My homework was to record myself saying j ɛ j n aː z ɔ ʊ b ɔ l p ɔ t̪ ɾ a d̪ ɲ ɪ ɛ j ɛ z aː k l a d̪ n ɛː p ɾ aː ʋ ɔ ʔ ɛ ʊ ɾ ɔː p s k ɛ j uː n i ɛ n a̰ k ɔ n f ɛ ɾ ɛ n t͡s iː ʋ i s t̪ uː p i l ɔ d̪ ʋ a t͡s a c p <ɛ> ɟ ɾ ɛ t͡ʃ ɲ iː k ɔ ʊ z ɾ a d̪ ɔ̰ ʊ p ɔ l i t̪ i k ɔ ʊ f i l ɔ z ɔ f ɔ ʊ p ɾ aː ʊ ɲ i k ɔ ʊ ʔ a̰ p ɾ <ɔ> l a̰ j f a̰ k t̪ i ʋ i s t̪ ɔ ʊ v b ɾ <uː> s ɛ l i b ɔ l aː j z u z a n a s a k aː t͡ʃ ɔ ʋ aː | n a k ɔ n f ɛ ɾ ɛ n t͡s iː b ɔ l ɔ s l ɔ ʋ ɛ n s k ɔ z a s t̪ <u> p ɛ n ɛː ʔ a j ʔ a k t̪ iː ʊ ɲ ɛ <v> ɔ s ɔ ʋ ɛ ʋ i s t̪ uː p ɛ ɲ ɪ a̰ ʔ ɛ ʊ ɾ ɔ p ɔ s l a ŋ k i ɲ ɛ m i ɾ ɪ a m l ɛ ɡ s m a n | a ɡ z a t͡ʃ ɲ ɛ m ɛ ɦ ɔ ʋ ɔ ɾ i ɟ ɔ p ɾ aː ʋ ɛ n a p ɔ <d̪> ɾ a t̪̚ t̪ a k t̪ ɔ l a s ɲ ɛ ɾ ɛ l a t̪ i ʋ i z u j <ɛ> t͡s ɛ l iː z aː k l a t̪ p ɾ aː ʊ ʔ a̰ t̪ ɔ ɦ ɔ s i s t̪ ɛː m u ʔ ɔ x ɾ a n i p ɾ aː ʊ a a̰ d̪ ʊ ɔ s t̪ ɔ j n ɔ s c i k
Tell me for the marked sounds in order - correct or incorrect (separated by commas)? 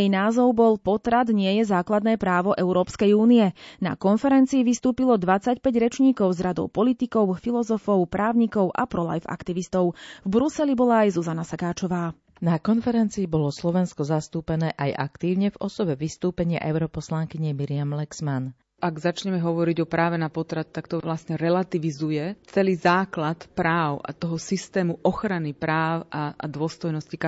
correct, correct, incorrect, incorrect, correct, incorrect, correct